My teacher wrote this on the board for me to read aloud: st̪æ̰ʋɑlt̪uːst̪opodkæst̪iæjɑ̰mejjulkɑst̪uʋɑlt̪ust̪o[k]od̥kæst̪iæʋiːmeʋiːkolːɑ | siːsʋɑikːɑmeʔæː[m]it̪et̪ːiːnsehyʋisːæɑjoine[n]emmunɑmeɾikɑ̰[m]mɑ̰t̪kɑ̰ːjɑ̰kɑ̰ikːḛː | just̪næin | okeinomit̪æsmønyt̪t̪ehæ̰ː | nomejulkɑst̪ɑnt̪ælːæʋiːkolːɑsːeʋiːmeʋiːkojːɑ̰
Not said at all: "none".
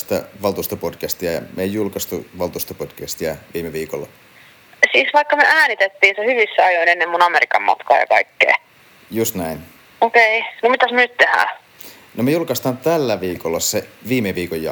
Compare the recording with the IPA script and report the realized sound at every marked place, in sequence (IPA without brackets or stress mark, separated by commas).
p, n, nː, m